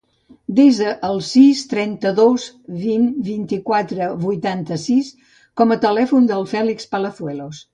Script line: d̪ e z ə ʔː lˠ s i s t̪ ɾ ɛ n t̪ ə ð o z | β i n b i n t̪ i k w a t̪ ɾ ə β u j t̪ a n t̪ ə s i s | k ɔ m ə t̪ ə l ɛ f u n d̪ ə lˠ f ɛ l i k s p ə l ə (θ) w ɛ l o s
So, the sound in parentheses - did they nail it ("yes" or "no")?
yes